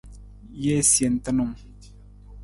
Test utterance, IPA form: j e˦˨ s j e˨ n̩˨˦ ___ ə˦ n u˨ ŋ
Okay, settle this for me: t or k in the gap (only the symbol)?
t